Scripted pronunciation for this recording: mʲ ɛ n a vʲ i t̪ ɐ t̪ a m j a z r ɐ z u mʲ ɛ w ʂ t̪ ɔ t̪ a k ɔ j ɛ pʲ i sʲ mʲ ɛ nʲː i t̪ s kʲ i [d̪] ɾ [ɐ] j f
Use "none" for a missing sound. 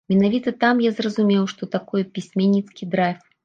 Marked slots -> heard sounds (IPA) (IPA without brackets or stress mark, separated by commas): d̪, a